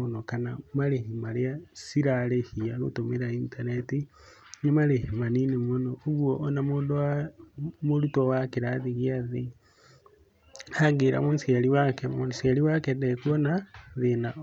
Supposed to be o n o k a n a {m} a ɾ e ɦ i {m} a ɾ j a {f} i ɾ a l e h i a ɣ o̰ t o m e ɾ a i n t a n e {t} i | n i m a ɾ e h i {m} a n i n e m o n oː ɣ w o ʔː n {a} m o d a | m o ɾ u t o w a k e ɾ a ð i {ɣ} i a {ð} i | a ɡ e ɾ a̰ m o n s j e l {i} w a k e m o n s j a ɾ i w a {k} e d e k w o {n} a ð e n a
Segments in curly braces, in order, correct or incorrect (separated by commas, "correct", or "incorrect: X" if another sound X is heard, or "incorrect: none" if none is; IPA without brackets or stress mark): correct, correct, incorrect: s, correct, correct, correct, correct, correct, correct, correct, correct